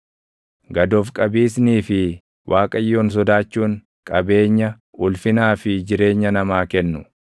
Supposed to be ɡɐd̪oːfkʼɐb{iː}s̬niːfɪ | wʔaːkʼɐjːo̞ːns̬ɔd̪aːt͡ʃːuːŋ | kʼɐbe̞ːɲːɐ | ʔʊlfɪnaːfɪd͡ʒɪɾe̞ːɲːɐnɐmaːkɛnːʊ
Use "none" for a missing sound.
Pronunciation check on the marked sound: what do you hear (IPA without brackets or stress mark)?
iː